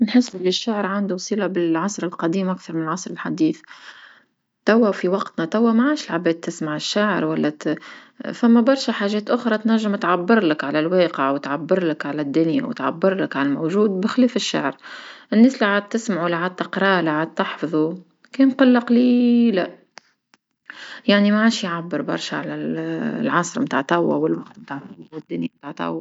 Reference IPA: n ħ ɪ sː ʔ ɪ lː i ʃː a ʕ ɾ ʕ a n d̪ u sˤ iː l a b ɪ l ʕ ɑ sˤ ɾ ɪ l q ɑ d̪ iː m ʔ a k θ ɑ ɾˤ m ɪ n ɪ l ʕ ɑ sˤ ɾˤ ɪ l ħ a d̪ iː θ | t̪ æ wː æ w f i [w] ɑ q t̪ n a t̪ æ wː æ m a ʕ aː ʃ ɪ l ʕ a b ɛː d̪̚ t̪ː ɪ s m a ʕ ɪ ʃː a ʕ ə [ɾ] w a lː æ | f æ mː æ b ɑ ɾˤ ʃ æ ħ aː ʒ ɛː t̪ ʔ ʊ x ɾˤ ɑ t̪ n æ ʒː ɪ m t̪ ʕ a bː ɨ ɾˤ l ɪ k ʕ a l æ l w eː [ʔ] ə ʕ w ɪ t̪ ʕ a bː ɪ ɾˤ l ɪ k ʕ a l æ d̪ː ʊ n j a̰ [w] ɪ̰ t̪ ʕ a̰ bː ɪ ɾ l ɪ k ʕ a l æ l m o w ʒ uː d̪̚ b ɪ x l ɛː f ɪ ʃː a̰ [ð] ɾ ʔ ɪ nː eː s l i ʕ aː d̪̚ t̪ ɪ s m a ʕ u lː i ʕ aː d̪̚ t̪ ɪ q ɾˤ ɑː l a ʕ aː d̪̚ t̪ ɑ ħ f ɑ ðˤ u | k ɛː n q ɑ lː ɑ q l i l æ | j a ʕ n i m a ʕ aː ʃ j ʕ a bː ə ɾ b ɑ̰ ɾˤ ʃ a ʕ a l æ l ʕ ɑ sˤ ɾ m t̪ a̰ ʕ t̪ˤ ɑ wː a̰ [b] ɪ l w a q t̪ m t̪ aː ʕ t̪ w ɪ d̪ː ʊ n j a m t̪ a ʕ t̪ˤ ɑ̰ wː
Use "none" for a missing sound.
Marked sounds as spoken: w, ɾ, q, w, ʕ, w

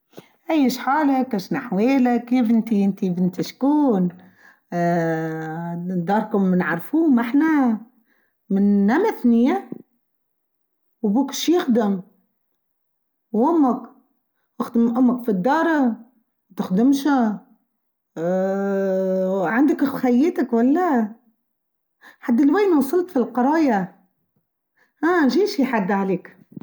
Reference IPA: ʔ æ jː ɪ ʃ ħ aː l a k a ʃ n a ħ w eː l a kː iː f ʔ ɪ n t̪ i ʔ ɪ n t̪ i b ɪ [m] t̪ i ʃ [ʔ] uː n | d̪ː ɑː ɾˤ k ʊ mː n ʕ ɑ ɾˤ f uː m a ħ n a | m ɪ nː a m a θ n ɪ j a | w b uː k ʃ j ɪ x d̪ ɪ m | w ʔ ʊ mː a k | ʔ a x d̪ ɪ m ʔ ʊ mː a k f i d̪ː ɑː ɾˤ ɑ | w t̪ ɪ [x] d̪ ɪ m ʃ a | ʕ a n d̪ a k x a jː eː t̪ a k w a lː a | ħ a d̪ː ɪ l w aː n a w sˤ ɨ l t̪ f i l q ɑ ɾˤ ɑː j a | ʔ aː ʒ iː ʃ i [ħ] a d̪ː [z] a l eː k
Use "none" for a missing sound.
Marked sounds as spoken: n, k, x, ħ, ʕ

